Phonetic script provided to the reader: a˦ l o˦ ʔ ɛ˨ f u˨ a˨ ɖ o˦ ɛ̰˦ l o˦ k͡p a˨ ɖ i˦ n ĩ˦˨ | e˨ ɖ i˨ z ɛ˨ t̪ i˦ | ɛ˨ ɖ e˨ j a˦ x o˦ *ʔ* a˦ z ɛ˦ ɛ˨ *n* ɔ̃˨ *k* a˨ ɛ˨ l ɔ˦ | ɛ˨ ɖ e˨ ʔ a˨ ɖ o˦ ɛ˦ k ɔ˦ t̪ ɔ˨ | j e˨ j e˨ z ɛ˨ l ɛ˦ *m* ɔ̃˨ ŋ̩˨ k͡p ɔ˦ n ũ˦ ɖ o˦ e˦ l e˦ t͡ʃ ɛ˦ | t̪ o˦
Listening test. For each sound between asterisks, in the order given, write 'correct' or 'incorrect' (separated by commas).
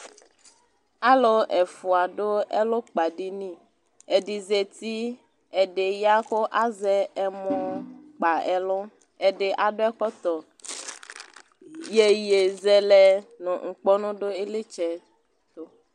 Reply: correct, incorrect, incorrect, incorrect